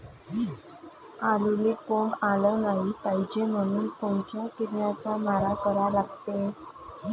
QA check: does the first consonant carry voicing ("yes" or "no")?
yes